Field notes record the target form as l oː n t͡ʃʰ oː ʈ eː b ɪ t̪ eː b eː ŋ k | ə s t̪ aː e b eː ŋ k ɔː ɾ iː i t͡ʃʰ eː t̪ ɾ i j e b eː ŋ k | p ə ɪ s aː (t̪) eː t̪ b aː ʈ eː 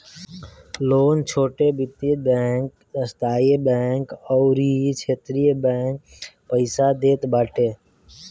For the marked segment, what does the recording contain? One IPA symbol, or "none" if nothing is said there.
d̪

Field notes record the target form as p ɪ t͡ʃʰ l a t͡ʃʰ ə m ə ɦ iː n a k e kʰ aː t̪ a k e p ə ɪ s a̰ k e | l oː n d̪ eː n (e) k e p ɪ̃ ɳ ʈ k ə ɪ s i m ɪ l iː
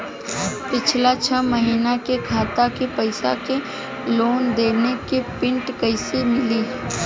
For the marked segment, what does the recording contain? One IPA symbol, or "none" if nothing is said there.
e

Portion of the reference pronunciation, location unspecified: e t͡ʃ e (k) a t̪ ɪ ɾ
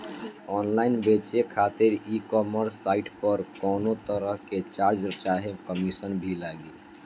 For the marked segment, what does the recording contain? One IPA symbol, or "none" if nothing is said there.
kʰ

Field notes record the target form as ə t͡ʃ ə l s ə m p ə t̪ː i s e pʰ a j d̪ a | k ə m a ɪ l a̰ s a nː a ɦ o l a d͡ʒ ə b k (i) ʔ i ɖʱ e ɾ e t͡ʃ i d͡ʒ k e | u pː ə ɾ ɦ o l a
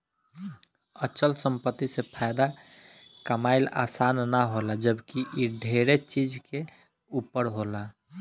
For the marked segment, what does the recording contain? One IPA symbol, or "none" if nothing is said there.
i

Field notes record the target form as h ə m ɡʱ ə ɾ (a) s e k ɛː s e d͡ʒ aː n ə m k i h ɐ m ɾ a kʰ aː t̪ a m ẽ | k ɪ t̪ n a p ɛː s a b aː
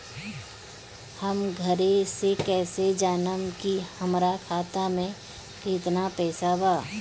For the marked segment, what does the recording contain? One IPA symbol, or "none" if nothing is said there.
e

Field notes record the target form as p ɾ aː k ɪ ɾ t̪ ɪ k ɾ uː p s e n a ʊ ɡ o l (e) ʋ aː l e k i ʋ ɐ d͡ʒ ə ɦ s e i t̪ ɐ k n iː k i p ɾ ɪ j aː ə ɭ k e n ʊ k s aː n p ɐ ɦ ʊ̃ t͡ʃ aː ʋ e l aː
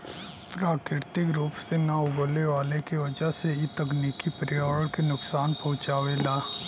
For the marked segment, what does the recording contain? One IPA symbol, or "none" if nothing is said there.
e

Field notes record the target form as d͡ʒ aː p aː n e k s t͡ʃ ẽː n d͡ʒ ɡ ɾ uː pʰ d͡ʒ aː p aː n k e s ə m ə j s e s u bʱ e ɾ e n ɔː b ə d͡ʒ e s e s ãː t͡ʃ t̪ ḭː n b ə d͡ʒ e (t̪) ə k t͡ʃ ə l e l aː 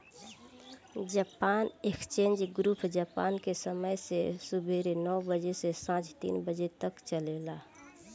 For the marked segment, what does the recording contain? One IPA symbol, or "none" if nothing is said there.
t̪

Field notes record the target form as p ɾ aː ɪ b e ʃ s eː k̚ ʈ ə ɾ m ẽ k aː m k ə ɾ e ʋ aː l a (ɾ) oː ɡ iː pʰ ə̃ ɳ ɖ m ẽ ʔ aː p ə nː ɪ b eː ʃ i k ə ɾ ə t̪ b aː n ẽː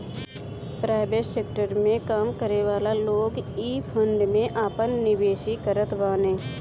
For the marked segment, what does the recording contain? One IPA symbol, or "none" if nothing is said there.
l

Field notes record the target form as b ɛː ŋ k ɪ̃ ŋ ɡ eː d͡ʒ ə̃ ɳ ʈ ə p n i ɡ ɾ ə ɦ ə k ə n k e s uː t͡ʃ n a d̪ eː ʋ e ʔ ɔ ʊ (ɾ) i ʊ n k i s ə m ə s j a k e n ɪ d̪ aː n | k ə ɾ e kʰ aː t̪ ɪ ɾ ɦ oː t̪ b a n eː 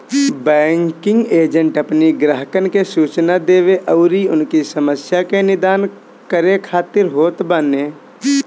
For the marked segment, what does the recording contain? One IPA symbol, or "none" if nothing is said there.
ɾ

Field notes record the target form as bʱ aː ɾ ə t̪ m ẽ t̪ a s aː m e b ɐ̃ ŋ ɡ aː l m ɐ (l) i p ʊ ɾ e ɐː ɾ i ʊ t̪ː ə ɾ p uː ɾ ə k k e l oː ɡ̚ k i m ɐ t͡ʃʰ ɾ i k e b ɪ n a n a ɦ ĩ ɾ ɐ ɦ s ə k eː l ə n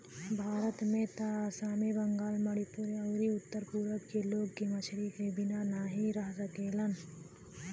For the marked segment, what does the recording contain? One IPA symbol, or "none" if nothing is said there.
ɽ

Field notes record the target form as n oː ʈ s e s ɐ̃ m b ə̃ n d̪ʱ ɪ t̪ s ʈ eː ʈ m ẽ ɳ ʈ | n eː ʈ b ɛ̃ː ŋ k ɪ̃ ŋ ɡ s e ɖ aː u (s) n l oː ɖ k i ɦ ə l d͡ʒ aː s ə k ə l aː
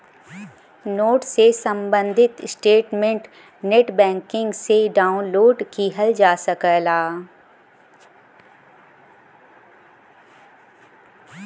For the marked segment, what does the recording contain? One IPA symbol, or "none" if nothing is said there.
none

